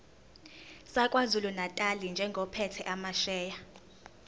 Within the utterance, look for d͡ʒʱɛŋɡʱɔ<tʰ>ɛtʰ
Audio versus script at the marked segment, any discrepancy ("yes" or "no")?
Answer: yes